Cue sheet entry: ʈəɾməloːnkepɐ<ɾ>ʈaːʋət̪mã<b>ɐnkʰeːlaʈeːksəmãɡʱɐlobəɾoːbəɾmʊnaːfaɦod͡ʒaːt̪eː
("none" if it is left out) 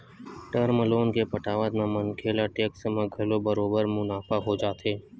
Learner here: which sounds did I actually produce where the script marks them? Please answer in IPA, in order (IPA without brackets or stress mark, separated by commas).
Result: none, m